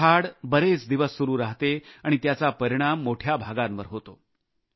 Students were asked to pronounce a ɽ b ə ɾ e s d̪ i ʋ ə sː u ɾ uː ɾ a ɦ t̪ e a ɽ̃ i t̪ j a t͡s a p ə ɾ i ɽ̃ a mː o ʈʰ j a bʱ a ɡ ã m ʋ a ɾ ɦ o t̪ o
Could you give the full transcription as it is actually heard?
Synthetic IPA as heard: a ɽ b ə ɾ e t͡s d̪ i ʋ ə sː u ɾ uː ɾ a ɦ t̪ e a ɽ̃ i t̪ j a t͡s a p ə ɾ i ɽ̃ a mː o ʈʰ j a bʱ a ɡ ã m ʋ ə ɾ ɦ o t̪ o